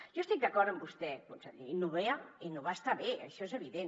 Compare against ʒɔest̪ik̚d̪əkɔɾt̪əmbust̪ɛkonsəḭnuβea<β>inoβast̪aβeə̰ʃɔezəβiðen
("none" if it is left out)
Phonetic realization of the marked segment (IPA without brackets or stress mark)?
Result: none